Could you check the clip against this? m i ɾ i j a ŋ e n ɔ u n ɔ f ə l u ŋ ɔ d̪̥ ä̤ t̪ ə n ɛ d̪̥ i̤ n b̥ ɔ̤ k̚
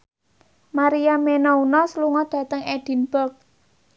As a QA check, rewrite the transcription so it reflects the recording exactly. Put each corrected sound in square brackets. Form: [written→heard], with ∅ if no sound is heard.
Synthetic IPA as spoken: m [i→a] ɾ i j a [ŋ→m] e n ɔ u n ɔ [f→s] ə l u ŋ ɔ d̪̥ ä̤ t̪ ə [n→ŋ] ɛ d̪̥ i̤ n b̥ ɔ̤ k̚